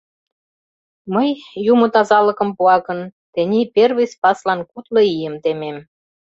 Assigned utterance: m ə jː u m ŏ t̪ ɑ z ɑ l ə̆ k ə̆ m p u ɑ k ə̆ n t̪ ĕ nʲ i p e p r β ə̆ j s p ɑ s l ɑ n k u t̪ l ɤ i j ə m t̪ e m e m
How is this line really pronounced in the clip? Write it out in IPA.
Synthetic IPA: m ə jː u m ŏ t̪ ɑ z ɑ l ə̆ k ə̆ m p u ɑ k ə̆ n t̪ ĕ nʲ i p e r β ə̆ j s p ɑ s l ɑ n k u t̪ l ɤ i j ə m t̪ e m e m